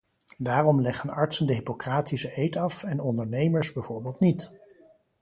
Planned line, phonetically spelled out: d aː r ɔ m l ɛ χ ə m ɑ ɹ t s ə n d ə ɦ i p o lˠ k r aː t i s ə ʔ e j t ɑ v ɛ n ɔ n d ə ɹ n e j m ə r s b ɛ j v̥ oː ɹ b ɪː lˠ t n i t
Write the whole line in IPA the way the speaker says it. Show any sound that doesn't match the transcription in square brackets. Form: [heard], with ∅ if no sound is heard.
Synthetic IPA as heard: d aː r ɔ m l ɛ χ ə [n] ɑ ɹ t s ə n d ə ɦ i p o [∅] k r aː t i s ə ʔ e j t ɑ [f] ɛ n ɔ n d ə ɹ n e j m ə [ɹ] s b ɛ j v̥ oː ɹ b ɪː lˠ t n i t